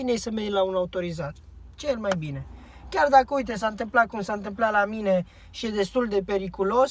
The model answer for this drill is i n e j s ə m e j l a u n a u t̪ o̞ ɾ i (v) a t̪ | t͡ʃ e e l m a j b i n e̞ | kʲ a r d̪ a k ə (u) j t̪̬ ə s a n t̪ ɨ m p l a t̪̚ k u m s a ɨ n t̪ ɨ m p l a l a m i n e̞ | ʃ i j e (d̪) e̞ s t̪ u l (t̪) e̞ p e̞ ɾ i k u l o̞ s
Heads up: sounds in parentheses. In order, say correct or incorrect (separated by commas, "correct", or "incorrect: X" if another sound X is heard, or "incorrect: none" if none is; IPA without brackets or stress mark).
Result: incorrect: z, correct, correct, incorrect: d̪